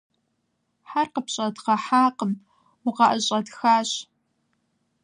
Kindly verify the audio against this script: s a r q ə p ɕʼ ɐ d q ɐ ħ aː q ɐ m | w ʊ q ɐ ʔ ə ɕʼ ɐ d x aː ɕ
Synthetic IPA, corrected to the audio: ħ a r q ə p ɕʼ ɐ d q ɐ ħ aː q ə m | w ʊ q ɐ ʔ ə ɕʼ ɐ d x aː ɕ